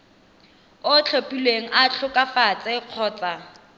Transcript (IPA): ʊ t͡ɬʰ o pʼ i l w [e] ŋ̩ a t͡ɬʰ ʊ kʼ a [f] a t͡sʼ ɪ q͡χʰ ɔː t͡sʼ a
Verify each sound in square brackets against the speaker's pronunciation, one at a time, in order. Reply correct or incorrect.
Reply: correct, correct

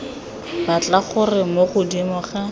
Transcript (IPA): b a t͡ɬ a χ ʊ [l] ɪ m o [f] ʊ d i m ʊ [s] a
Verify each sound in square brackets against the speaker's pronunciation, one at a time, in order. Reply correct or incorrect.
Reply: incorrect: r, incorrect: χ, incorrect: χ

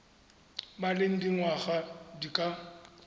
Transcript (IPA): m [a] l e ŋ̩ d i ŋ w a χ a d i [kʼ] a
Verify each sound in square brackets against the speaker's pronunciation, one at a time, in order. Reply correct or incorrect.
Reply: correct, correct

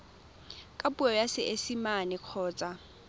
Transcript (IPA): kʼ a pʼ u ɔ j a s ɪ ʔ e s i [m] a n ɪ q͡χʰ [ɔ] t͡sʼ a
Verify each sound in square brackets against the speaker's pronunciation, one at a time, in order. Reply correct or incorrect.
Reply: correct, incorrect: ɔː

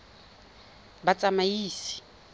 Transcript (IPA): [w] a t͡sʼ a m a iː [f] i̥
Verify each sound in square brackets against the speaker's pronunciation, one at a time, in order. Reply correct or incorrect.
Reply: incorrect: b, incorrect: s

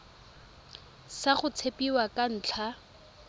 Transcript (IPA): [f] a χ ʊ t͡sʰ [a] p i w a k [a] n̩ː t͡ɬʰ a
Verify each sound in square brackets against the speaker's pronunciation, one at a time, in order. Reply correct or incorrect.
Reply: incorrect: s, incorrect: e, correct

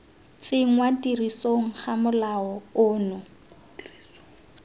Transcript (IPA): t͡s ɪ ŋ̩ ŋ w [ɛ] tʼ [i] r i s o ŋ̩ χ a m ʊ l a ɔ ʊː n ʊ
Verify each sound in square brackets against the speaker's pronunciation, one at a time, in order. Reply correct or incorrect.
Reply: incorrect: a, correct

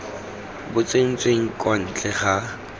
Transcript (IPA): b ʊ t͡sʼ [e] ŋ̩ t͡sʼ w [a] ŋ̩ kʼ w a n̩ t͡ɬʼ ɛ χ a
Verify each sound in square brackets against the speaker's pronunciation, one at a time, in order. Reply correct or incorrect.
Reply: correct, incorrect: e

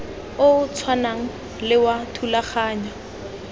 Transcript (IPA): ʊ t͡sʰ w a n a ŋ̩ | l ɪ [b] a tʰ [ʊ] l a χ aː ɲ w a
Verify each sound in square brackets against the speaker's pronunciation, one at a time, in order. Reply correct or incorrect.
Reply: incorrect: w, incorrect: u

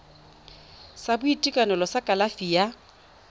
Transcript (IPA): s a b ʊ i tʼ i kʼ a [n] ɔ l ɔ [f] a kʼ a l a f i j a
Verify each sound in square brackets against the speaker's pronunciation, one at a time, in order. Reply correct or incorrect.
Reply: correct, incorrect: s

